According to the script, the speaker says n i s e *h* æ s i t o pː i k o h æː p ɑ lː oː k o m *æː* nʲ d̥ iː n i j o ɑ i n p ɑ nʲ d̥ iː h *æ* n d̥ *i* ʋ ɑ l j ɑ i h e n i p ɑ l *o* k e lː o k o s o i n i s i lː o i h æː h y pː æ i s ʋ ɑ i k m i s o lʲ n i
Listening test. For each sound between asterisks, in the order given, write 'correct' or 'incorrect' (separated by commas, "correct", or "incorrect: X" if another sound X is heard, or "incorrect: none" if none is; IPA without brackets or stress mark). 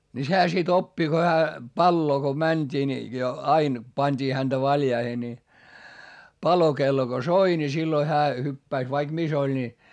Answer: correct, incorrect: æ, correct, incorrect: æ, correct